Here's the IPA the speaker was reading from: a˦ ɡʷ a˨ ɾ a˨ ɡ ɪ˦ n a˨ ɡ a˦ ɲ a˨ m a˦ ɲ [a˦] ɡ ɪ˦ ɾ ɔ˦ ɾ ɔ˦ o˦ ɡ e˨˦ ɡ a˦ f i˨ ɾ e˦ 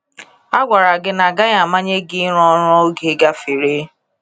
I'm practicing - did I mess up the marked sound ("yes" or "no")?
yes